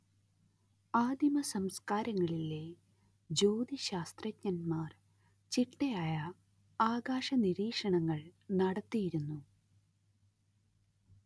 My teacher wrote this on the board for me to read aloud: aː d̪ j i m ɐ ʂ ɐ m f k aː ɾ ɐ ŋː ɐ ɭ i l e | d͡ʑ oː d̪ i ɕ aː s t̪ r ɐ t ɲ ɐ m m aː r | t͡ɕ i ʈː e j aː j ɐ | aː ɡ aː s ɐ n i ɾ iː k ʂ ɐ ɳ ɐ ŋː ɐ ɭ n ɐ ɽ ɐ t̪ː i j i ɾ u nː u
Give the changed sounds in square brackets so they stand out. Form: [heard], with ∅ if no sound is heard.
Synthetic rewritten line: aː d̪ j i m ɐ [s] ɐ m [s] k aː ɾ ɐ ŋː ɐ ɭ i l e | d͡ʑ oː d̪ i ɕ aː s t̪ r ɐ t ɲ ɐ [n] m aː r | t͡ɕ i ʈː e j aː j ɐ | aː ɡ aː [ʂ] ɐ n i ɾ iː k ʂ ɐ ɳ ɐ ŋː ɐ ɭ n ɐ ɽ ɐ t̪ː i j i ɾ u nː u